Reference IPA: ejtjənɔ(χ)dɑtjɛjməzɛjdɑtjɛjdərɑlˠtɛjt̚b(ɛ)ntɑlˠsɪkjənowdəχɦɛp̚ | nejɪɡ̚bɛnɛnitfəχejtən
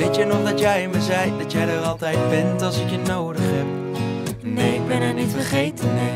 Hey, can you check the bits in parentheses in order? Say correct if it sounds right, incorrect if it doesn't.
correct, correct

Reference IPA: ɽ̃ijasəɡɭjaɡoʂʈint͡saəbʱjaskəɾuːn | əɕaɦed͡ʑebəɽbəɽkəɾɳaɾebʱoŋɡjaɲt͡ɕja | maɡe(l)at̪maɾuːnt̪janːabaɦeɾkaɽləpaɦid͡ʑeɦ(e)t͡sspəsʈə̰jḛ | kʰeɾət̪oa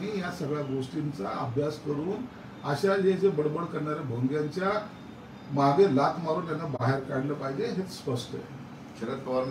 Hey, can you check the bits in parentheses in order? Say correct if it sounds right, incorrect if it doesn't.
correct, correct

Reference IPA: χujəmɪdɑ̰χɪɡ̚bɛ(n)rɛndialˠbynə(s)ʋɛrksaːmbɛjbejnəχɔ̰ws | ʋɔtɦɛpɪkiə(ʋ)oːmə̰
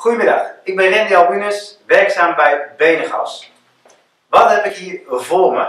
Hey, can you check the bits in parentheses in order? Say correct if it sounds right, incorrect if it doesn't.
correct, correct, incorrect: v

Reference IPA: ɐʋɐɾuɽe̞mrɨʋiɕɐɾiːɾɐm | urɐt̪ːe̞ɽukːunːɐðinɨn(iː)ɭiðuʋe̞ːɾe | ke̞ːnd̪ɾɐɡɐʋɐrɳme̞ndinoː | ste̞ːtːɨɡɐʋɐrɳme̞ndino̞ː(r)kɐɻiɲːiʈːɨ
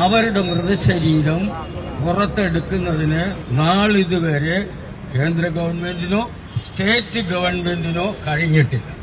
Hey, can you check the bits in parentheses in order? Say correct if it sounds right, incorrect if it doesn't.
incorrect: aː, incorrect: none

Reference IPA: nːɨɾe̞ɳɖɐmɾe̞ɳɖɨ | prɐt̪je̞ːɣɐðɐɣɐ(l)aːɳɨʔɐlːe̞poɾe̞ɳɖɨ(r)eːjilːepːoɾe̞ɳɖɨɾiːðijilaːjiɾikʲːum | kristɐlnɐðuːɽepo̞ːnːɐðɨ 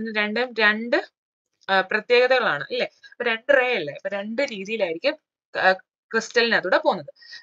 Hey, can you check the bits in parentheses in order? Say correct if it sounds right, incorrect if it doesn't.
incorrect: ɭ, correct

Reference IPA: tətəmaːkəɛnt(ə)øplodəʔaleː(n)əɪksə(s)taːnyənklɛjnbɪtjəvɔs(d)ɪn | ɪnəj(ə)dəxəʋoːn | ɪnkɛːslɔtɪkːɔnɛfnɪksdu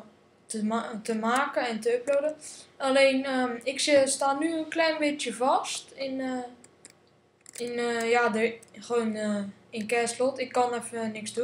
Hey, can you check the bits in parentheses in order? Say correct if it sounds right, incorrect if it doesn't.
correct, correct, correct, incorrect: t, incorrect: a

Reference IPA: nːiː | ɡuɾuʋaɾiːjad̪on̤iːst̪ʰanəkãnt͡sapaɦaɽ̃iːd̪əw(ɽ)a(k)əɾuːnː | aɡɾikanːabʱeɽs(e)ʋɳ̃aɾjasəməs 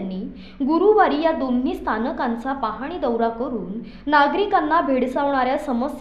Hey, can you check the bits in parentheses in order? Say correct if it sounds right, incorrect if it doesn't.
incorrect: ɾ, correct, incorrect: a

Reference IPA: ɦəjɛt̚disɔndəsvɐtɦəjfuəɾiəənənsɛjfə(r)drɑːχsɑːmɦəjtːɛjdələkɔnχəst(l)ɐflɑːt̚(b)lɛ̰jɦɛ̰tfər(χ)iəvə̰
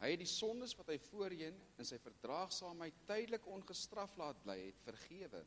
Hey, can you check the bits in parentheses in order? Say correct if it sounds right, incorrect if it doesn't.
correct, incorrect: r, correct, correct

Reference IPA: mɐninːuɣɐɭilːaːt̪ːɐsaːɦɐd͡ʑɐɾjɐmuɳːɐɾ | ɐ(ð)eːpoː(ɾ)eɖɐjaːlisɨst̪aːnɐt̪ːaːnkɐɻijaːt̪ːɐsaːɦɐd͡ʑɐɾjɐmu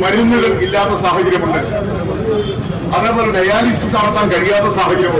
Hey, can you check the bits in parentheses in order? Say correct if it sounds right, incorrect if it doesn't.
correct, incorrect: l

